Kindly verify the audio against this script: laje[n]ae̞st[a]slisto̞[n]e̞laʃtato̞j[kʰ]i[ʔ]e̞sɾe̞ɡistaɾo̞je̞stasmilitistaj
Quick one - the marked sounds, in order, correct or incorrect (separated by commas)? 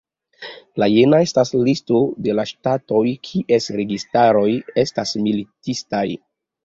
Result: correct, correct, incorrect, correct, correct